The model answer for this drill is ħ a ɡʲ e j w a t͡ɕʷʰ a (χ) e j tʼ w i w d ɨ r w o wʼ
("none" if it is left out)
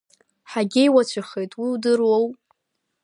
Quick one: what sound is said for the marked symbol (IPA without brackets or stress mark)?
χ